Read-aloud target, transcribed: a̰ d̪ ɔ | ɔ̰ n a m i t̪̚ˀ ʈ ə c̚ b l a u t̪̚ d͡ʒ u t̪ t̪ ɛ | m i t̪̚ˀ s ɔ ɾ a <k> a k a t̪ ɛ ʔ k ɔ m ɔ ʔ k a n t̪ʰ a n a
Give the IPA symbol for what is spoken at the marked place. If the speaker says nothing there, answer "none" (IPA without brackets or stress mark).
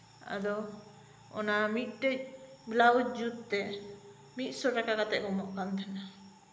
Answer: k